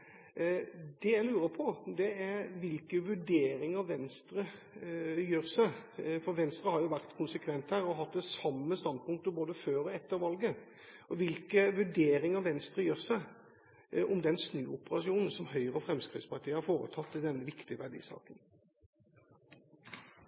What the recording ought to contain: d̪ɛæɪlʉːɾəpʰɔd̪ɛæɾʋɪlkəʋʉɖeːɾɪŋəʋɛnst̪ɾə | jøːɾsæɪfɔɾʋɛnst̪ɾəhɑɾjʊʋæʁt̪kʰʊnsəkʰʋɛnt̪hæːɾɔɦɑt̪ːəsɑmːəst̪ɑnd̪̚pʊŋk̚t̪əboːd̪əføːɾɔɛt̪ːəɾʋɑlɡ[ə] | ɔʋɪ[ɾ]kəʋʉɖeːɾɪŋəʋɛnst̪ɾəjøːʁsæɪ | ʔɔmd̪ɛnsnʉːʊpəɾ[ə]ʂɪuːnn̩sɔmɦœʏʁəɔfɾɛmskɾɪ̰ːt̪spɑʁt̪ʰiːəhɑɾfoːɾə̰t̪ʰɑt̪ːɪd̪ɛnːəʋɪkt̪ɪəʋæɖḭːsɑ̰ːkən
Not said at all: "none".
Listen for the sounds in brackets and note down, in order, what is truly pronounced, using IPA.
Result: ə, l, ɑ

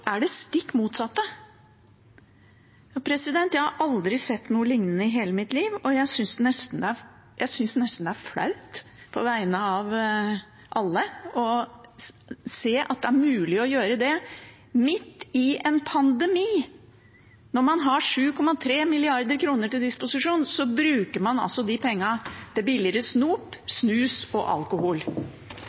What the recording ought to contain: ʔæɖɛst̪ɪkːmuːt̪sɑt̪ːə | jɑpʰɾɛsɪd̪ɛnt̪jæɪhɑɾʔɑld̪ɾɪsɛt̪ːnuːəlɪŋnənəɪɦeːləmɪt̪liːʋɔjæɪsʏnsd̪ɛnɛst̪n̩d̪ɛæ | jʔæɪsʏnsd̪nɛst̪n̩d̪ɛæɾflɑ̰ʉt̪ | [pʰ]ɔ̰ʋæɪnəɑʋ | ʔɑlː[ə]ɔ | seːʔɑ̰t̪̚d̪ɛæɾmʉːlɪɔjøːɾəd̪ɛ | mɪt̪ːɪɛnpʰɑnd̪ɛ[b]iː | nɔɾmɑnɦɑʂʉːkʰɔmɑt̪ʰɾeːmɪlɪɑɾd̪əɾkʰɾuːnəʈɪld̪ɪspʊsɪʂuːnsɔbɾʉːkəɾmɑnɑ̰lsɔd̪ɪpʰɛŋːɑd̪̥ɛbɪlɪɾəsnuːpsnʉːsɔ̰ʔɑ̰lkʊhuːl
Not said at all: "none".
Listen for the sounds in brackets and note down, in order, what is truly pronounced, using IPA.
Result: pʰ, ə, m

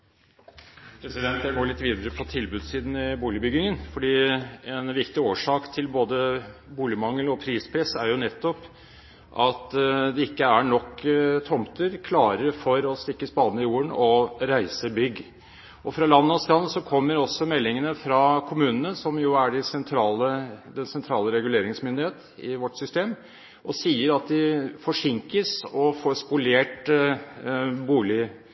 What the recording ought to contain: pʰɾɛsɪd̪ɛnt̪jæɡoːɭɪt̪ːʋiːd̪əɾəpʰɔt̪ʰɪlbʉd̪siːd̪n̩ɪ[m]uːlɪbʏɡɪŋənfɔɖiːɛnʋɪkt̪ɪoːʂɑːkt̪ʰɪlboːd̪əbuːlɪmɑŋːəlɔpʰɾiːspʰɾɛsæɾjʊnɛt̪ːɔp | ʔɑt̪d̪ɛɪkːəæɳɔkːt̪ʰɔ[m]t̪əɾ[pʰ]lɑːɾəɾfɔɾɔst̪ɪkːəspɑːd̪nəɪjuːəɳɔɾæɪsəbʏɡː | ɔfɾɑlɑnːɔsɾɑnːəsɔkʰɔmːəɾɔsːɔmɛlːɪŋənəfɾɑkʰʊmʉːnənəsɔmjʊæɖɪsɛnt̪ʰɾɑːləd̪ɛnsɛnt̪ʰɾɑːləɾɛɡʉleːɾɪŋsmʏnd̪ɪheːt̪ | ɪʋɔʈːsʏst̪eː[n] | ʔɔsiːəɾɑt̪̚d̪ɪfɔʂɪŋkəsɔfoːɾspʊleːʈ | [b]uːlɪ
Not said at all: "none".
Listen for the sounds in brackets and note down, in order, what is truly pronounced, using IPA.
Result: b, m, kʰ, m, b

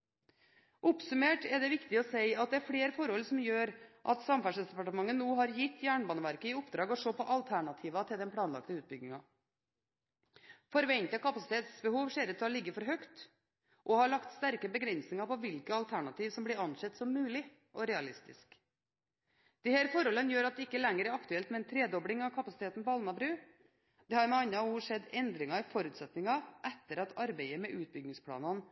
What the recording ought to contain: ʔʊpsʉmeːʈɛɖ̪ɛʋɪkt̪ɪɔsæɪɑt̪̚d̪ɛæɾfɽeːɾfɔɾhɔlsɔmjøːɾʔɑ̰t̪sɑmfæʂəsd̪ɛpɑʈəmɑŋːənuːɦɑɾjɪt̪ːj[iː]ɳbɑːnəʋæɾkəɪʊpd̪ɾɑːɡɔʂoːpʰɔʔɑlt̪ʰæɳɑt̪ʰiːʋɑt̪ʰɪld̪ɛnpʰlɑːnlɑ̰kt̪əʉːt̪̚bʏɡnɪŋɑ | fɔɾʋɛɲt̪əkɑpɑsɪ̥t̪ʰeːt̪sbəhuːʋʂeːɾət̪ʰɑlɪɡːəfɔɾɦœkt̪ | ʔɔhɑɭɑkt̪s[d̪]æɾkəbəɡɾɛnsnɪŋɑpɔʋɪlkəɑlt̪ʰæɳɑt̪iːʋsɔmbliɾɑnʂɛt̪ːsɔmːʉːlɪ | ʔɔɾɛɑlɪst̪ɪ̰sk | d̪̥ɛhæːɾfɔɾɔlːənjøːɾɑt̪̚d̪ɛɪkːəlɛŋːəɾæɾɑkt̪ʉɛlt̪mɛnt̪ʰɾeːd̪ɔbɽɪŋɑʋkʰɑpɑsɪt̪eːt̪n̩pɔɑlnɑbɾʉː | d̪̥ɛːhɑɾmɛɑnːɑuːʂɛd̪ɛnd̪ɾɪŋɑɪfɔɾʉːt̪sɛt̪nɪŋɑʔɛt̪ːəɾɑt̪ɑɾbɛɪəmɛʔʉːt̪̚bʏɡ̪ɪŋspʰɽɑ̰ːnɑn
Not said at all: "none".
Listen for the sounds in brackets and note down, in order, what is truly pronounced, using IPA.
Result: æː, t̪

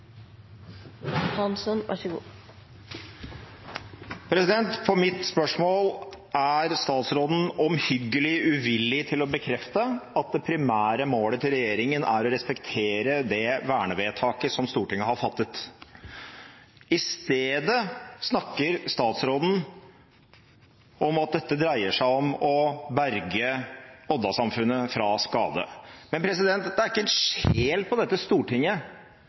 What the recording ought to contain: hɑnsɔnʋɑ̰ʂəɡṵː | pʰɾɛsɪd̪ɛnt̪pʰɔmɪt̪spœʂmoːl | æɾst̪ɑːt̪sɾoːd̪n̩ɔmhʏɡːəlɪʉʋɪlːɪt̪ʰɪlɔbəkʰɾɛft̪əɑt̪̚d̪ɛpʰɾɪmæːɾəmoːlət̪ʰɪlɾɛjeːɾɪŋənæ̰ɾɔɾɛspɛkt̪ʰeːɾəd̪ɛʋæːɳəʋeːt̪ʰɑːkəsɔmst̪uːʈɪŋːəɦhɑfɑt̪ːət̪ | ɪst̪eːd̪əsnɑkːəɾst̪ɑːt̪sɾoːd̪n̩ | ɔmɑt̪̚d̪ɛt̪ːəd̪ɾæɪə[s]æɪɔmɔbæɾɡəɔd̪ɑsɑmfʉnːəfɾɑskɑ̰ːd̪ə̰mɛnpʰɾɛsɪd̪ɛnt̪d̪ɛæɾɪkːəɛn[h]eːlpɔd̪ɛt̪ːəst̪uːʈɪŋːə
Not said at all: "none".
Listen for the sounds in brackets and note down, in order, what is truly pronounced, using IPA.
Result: ʂ, ʂ

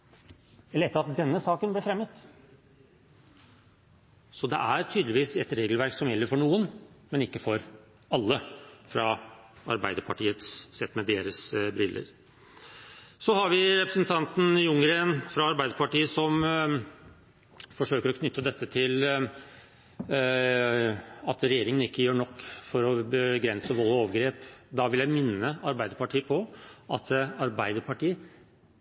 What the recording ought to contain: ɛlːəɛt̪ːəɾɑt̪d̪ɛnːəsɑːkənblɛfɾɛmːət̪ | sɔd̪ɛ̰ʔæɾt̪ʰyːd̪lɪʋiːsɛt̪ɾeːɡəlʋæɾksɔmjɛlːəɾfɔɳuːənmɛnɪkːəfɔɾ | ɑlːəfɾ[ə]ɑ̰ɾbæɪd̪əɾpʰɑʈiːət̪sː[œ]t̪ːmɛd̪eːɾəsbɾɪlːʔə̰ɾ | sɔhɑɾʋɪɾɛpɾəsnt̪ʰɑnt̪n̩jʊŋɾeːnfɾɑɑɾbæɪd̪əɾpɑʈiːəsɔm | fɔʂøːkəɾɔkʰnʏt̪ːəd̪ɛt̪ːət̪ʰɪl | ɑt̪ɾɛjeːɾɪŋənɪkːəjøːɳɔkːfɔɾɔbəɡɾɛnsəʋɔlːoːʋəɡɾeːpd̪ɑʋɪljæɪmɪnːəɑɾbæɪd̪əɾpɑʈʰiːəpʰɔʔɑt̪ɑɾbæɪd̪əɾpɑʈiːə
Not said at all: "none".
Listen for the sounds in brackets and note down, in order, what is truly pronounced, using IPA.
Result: ɑ, ɛ

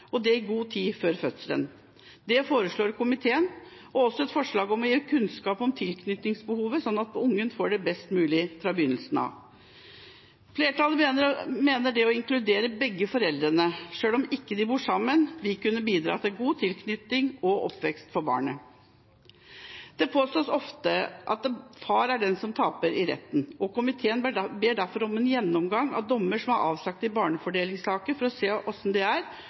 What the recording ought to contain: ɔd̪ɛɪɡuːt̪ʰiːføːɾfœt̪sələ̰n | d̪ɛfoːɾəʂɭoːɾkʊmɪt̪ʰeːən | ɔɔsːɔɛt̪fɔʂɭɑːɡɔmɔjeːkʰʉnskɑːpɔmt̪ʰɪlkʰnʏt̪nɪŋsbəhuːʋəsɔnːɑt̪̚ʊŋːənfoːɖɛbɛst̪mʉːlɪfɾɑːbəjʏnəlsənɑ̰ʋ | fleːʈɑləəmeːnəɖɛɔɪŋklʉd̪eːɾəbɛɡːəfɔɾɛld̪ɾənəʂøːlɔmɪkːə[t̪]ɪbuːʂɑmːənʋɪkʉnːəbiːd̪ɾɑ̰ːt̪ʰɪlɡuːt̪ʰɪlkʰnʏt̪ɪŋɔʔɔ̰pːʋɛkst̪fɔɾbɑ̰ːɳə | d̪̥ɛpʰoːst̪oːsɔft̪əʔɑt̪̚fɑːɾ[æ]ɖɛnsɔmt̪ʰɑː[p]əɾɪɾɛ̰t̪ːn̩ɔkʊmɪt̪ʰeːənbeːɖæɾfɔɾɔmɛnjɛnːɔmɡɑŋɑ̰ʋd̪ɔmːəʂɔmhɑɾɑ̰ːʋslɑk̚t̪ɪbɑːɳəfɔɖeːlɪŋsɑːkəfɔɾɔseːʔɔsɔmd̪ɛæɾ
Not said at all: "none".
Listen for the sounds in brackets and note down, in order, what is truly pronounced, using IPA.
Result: d̪, æ, p

